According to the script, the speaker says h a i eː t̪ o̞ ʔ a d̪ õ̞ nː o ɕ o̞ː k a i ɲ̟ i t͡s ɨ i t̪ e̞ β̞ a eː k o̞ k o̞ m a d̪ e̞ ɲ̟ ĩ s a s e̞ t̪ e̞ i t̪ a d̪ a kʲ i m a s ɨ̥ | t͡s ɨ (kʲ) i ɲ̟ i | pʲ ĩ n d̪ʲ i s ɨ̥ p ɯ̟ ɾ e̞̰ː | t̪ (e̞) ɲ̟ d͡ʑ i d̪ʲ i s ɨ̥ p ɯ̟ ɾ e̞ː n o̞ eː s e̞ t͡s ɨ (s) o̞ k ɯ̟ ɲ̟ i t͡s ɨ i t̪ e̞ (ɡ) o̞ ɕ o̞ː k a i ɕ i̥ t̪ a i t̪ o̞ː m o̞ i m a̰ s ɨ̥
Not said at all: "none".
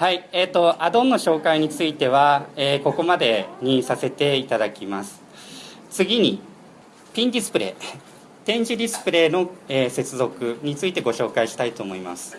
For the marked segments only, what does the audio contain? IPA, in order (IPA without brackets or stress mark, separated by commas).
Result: ɡʲ, ẽ̞, z, ɡ